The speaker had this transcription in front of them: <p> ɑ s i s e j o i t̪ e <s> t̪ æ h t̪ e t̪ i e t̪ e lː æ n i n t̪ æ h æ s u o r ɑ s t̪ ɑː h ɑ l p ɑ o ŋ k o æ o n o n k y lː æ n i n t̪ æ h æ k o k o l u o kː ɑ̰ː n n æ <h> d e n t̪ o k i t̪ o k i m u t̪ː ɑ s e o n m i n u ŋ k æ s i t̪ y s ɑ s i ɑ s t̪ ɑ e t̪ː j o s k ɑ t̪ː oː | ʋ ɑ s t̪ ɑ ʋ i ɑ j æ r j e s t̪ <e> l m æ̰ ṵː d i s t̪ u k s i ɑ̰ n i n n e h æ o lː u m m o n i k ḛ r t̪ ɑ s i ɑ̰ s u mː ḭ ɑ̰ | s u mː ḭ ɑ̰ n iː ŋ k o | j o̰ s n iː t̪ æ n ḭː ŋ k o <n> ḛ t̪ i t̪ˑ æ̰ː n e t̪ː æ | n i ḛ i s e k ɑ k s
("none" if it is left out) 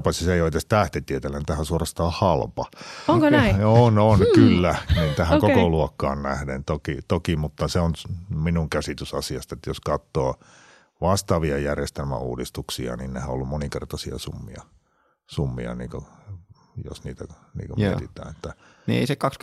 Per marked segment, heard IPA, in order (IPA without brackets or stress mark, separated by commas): p, s, h, e, m